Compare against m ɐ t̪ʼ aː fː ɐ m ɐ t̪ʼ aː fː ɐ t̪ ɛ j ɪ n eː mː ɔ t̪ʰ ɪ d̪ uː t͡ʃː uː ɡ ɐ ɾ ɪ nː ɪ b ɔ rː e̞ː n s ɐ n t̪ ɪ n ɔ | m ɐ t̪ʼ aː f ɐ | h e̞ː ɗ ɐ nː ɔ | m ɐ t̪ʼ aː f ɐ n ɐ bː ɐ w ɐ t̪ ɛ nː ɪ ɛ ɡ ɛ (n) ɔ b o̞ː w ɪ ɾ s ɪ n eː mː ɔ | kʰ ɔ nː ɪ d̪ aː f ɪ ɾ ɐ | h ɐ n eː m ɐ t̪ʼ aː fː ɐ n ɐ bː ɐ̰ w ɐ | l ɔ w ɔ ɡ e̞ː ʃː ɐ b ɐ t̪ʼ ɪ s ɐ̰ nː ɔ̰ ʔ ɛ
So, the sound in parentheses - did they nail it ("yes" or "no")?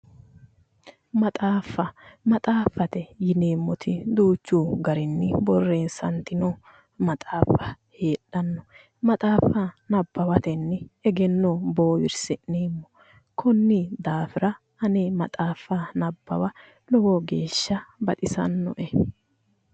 no